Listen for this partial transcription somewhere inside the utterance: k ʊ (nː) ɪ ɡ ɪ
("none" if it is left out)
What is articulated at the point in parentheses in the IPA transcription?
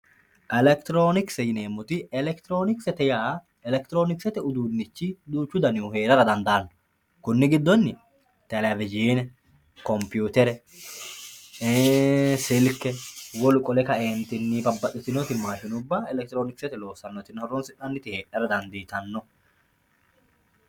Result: nː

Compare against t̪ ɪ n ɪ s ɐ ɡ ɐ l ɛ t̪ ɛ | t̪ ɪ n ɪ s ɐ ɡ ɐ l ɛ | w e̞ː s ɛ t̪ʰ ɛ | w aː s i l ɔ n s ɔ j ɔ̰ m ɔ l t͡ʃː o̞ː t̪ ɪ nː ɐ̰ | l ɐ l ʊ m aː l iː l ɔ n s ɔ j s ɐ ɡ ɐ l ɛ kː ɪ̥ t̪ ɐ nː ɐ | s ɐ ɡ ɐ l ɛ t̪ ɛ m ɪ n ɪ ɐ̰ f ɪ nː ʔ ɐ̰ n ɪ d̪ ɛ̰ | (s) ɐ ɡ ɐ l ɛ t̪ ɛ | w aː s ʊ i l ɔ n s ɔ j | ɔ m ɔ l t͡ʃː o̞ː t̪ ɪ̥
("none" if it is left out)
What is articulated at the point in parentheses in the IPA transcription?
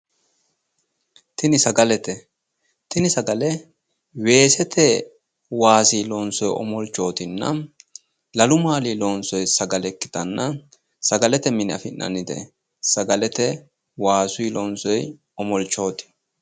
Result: s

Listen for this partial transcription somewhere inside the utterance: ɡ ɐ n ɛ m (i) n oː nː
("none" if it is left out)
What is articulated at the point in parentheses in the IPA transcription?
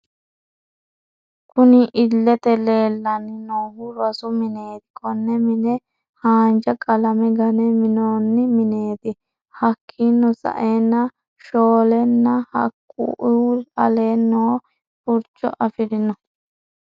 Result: ɪ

